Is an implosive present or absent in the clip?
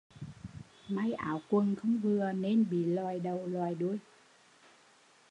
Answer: present